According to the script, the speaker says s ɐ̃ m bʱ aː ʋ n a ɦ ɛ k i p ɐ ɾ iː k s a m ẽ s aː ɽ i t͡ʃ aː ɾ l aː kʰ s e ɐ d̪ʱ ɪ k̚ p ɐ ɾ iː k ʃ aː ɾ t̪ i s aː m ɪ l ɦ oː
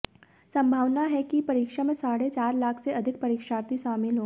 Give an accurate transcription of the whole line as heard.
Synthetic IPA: s ɐ̃ m bʱ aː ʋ n a ɦ ɛ k i p ɐ ɾ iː k ʃ a m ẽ s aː ɽ e t͡ʃ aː ɾ l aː kʰ s e ɐ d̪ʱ ɪ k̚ p ɐ ɾ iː k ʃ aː ɾ t̪ i ʃ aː m ɪ l ɦ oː